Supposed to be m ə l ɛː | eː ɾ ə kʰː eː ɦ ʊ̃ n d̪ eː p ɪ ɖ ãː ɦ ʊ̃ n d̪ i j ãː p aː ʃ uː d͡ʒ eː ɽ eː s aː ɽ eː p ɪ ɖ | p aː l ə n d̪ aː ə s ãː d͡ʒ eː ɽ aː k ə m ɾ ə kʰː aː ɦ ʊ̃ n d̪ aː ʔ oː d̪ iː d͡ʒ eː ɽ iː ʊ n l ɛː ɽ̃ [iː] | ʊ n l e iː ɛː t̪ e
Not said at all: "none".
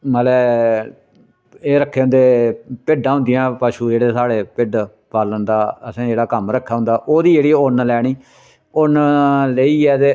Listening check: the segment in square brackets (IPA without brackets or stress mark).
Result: iː